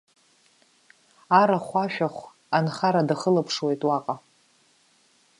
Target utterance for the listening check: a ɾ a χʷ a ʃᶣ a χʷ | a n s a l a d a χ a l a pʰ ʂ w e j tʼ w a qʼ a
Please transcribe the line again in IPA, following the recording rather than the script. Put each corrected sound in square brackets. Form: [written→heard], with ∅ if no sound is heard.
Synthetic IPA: a ɾ a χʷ a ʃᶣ a χʷ | a n [s→χ] a [l→ɾ] a d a χ [a→ə] l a pʰ ʂ w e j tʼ w a qʼ a